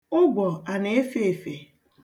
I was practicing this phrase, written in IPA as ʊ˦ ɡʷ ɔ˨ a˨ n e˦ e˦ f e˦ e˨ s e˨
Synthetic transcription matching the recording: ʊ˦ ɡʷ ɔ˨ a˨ n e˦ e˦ f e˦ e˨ f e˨